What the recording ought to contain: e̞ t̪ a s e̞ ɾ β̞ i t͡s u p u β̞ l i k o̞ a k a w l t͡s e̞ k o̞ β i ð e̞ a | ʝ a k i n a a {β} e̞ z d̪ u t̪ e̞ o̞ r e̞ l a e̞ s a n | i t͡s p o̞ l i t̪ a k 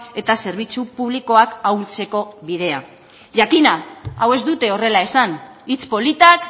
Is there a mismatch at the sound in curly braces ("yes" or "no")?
yes